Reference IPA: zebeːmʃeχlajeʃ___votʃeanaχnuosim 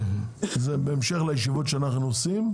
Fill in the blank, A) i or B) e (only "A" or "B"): A